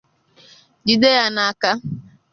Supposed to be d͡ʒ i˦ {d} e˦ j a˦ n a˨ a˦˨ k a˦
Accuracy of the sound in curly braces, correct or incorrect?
correct